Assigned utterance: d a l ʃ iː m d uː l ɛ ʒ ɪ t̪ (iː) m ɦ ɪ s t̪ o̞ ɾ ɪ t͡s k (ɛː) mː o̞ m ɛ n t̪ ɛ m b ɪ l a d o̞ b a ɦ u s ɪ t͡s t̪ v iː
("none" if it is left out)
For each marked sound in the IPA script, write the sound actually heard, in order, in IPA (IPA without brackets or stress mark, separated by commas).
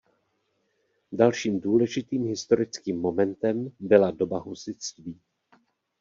iː, iː